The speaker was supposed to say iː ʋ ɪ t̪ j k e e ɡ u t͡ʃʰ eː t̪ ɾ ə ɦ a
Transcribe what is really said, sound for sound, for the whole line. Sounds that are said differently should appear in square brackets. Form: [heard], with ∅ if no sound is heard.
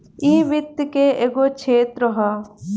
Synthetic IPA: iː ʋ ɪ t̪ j k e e ɡ [o] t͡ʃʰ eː t̪ ɾ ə ɦ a